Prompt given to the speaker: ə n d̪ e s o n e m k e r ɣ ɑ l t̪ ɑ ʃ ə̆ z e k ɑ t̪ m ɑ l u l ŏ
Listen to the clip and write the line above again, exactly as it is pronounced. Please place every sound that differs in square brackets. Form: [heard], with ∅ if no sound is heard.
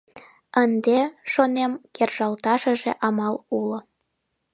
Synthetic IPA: ə n d̪ e [ʃ] o n e m k e r [ʒ] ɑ l t̪ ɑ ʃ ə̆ [ʒ] e [ʔ] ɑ [∅] m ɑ l u l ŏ